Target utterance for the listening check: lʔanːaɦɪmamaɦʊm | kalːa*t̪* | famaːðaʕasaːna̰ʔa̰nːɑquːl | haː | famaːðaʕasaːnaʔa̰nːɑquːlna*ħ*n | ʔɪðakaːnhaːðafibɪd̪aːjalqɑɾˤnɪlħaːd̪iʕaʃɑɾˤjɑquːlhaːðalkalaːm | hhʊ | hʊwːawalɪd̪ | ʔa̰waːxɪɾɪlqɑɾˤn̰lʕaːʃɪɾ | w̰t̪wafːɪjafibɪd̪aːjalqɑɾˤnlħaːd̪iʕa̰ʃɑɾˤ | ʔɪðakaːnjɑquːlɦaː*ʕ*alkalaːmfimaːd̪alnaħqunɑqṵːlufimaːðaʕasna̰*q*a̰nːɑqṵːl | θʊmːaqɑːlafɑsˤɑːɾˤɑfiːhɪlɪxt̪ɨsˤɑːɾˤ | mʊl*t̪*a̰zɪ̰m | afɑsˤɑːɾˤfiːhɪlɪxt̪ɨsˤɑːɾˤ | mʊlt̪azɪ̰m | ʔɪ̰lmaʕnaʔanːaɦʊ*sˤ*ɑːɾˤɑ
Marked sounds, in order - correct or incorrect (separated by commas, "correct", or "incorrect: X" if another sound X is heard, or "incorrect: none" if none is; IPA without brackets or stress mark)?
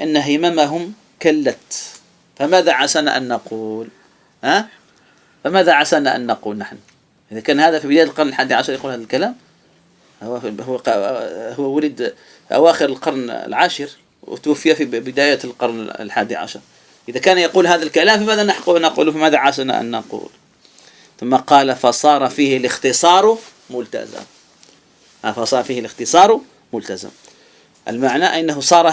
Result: correct, correct, incorrect: ð, incorrect: ʔ, correct, correct